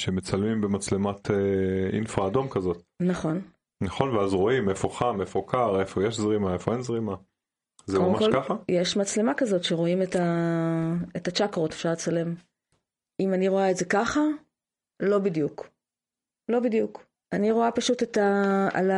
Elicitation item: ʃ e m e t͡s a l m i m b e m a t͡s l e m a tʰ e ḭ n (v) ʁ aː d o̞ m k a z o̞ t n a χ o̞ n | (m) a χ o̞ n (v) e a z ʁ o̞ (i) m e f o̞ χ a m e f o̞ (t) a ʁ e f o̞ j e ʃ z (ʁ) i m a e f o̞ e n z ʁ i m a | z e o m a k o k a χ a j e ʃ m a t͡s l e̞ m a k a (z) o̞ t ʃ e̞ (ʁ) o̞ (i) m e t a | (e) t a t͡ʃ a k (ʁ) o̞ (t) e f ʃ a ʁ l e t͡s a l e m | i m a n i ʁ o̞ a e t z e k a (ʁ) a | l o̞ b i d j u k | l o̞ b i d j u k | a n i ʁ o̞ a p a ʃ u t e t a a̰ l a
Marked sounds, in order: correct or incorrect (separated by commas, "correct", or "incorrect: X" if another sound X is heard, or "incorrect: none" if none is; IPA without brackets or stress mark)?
incorrect: f, incorrect: n, correct, correct, incorrect: k, correct, correct, correct, correct, correct, correct, correct, incorrect: χ